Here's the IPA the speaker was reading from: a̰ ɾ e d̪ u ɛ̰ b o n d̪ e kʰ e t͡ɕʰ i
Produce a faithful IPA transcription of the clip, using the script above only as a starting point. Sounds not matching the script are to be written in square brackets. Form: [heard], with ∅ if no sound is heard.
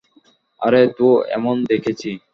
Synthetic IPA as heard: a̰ ɾ e [t̪] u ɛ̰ [m] o n d̪ e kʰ e t͡ɕʰ i